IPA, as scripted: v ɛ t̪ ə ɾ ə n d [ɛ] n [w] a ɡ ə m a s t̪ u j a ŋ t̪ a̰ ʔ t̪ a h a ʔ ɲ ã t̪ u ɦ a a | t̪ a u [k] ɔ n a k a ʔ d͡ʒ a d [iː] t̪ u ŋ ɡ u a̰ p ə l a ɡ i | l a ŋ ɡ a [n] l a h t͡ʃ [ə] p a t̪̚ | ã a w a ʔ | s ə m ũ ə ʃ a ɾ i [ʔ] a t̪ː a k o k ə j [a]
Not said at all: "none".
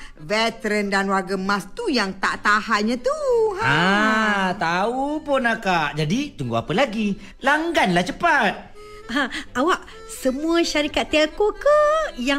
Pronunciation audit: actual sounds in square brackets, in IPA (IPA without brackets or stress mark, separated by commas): a, w, p, i, n, ə, k, a